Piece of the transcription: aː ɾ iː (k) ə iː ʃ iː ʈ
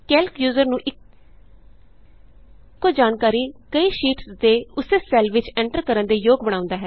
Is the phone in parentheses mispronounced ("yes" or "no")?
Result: no